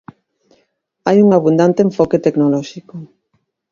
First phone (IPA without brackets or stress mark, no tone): a